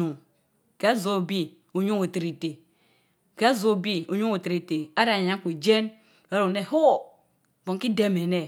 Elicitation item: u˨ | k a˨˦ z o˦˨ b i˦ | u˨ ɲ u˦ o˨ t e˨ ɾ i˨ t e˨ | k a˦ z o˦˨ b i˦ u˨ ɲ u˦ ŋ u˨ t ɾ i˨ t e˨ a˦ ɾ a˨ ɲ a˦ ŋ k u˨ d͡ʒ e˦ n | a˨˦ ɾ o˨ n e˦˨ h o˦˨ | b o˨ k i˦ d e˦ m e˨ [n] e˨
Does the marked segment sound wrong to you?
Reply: no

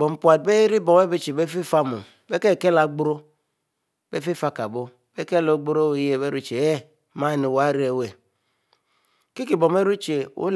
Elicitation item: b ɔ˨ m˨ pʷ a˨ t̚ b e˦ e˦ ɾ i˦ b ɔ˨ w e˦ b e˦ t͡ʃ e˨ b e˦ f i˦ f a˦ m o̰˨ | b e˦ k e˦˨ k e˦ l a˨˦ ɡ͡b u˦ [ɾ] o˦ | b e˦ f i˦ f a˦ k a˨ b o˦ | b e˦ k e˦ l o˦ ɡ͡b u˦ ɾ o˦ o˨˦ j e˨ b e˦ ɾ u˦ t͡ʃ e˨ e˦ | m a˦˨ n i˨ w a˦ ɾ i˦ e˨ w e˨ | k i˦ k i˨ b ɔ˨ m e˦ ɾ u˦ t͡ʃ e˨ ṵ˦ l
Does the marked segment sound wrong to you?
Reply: no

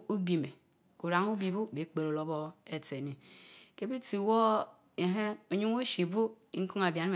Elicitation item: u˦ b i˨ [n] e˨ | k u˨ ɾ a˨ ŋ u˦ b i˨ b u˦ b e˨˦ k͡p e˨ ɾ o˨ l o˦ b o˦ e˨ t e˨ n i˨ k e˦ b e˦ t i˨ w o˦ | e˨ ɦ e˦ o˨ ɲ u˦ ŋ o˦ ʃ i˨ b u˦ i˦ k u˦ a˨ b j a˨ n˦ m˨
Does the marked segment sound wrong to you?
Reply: yes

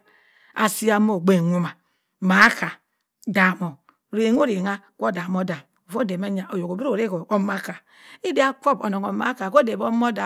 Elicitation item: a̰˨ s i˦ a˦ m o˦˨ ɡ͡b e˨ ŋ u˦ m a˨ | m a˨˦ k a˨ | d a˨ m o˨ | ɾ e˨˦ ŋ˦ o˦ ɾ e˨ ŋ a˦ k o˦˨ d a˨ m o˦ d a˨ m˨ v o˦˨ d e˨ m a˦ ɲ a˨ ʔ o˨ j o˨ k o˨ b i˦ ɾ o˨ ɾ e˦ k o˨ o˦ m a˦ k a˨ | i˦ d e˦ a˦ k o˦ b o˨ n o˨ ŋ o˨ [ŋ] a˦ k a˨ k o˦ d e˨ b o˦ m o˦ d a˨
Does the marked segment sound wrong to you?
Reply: yes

